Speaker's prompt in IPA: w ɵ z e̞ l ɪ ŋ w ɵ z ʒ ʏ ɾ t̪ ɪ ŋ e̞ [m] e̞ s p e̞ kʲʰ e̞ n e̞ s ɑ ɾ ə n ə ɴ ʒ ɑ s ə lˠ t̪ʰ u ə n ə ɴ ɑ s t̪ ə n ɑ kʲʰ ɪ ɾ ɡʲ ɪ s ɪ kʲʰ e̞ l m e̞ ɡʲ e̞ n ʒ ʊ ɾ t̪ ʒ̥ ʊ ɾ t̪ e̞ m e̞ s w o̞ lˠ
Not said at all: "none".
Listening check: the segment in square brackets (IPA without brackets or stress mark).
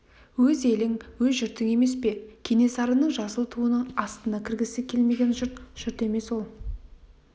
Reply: m